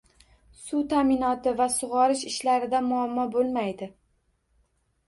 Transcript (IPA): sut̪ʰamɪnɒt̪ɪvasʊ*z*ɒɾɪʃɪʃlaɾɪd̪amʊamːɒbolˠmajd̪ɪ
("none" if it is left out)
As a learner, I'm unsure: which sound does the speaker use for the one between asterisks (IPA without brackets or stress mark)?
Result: ʁ